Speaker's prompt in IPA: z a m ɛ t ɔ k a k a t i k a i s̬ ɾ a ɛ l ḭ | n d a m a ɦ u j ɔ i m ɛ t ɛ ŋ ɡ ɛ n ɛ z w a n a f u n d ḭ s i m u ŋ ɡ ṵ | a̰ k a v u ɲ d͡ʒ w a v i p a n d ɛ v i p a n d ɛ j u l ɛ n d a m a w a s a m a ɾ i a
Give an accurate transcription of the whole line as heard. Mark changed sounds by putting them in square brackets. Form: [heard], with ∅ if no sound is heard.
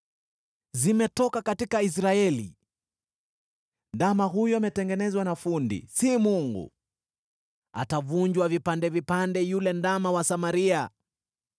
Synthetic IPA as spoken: z [i] m ɛ t ɔ k a k a t i k a i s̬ ɾ a ɛ l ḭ | n d a m a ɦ u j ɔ [a] m ɛ t ɛ ŋ ɡ ɛ n ɛ z w a n a f u n d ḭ s i m u ŋ ɡ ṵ | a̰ [t] a v u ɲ d͡ʒ w a v i p a n d ɛ v i p a n d ɛ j u l ɛ n d a m a w a s a m a ɾ i a

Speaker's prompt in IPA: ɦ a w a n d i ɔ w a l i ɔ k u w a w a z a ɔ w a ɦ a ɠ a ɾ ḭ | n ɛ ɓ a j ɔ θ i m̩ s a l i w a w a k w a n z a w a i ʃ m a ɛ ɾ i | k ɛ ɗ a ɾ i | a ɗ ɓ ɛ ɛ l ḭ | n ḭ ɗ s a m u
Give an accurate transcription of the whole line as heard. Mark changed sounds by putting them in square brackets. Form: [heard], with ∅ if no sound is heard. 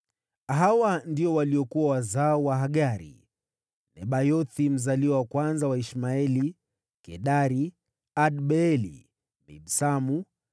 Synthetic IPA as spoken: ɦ a w a n d i ɔ w a l i ɔ k u w a w a z a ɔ w a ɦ a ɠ a ɾ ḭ | n ɛ ɓ a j ɔ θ i m̩ [z] a l i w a w a k w a n z a w a i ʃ m a ɛ [l] i | k ɛ ɗ a ɾ i | a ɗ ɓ ɛ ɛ l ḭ | n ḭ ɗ s a m u

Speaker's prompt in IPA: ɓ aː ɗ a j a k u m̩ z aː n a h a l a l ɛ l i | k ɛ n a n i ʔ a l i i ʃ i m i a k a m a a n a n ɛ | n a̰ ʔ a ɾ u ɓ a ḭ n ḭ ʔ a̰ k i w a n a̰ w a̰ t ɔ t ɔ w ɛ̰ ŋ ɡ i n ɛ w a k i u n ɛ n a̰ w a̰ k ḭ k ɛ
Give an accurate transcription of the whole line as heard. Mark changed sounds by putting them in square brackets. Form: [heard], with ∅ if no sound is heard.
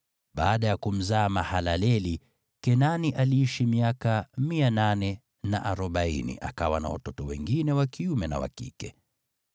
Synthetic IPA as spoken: ɓ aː ɗ a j a k u m̩ z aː [m] a h a l a l ɛ l i | k ɛ n a n i ʔ a l i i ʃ i m i a k a m [i] a n a n ɛ | n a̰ ʔ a ɾ [ɔ] ɓ a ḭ n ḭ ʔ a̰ k [a] w a n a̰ w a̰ t ɔ t ɔ w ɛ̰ ŋ ɡ i n ɛ w a k i u [m] ɛ n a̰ w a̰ k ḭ k ɛ

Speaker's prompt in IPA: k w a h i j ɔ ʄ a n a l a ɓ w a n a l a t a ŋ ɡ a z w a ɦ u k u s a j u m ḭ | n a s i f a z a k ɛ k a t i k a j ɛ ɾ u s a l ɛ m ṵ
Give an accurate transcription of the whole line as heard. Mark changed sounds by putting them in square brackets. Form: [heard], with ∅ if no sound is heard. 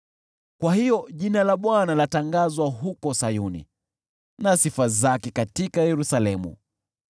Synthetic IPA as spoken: k w a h i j ɔ ʄ [i] n a l a ɓ w a n a l a t a ŋ ɡ a z w a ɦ u k [ɔ] s a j u [n] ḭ | n a s i f a z a k ɛ k a t i k a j ɛ ɾ u s a l ɛ m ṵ

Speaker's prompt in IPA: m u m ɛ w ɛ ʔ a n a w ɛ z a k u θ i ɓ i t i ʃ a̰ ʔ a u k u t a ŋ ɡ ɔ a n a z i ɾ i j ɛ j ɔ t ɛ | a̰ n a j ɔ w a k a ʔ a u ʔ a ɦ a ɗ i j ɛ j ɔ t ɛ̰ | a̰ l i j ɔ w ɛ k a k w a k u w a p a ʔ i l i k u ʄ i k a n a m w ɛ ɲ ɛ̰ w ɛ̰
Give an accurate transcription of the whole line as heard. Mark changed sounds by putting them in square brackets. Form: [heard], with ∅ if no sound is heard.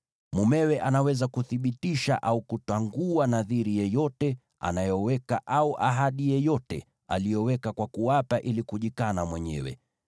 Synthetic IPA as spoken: m u m ɛ w ɛ ʔ a n a w ɛ z a k u θ i ɓ i t i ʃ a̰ ʔ a u k u t a ŋ ɡ [u] a n a [ð] i ɾ i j ɛ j ɔ t ɛ | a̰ n a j ɔ w [ɛ] k a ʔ a u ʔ a ɦ a ɗ i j ɛ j ɔ t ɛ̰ | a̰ l i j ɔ w ɛ k a k w a k u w a p a ʔ i l i k u ʄ i k a n a m w ɛ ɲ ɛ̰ w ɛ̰

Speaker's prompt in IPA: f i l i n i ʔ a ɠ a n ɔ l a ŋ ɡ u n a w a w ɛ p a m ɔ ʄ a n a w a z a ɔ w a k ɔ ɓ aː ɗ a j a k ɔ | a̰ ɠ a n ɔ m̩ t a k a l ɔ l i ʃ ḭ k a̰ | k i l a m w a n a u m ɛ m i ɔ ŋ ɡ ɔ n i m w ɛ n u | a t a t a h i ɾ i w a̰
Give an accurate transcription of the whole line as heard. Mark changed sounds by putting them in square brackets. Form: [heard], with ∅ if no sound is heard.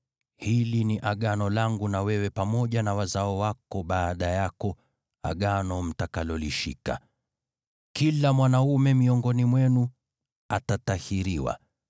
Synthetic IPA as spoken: [h] i l i n i ʔ a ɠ a n ɔ l a ŋ ɡ u n a w [ɛ] w ɛ p a m ɔ ʄ a n a w a z a ɔ w a k ɔ ɓ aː ɗ a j a k ɔ | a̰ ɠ a n ɔ m̩ t a k a l ɔ l i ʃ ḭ k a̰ | k i l a m w a n a u m ɛ m i ɔ ŋ ɡ ɔ n i m w ɛ n u | a t a t a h i ɾ i w a̰

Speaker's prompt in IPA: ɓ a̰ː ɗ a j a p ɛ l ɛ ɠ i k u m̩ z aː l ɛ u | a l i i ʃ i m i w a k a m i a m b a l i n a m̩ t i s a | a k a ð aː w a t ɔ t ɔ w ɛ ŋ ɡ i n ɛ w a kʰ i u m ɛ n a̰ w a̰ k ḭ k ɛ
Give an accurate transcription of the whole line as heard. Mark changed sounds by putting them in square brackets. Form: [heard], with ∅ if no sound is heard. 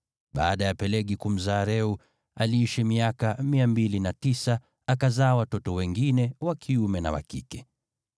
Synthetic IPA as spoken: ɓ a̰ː ɗ a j a p ɛ l ɛ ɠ i k u m̩ z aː [ɾ] ɛ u | a l i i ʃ i m i [∅] a k a m i a m b [i] l i n a [∅] t i s a | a k a [z] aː w a t ɔ t ɔ w ɛ ŋ ɡ i n ɛ w a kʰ i u m ɛ n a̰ w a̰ k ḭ k ɛ

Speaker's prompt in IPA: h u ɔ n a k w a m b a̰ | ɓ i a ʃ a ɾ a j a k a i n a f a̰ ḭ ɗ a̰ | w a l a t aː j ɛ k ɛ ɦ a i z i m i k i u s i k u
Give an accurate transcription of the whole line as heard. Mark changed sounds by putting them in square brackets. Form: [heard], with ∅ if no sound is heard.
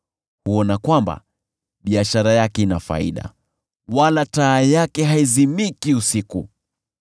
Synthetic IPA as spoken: h u ɔ n a k w a m b a̰ | ɓ i a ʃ a ɾ a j a k [ɛ] i n a f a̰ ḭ ɗ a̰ | w a l a t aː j [a] k ɛ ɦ a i z i m i k i u s i k u

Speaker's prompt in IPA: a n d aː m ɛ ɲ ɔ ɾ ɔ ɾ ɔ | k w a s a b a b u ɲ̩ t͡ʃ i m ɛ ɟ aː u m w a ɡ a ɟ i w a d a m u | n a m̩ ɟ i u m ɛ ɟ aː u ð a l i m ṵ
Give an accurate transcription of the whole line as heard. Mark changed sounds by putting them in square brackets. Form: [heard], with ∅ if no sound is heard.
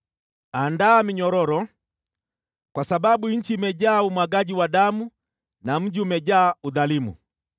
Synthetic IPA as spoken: a n d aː m [i] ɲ ɔ ɾ ɔ ɾ ɔ | k w a s a b a b u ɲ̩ t͡ʃ i m ɛ ɟ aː u m w a ɡ a ɟ i w a d a m u | n a m̩ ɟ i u m ɛ ɟ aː u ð a l i m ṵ

